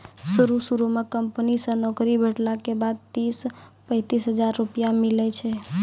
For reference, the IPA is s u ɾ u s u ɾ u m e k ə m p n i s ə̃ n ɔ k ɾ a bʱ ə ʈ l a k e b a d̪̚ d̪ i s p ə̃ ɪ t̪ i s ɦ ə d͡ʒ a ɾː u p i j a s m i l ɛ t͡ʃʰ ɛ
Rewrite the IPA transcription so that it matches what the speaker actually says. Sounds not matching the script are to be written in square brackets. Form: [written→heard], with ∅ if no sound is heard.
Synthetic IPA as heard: s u ɾ u s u ɾ u m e k ə m p n i s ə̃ n ɔ k ɾ [a→i] bʱ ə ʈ l a k e b a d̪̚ [d̪→t̪] i s p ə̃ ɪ t̪ i s ɦ ə d͡ʒ a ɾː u p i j a [s→∅] m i l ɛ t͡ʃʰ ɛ